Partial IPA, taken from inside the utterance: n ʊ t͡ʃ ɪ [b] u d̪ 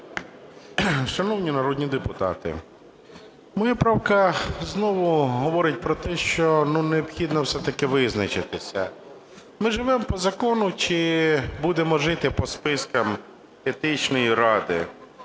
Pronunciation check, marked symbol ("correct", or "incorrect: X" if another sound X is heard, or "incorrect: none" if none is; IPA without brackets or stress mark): correct